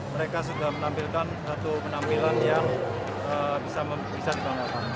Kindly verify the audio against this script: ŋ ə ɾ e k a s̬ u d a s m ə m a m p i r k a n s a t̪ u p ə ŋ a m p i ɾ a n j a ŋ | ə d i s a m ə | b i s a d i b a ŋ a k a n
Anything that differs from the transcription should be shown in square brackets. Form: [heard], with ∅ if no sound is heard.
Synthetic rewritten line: [m] ə ɾ e k a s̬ u d a [h] m ə [n] a m p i [l] k a n s a t̪ u p ə [n] a m p i [l] a n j a ŋ | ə [b] i s a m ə | b i s a d i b a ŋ a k a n